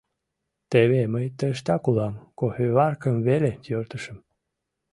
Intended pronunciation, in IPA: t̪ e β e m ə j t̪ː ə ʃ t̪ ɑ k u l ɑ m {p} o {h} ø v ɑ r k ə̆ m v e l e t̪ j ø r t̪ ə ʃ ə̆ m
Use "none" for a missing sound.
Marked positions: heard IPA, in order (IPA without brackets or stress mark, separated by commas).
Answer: k, h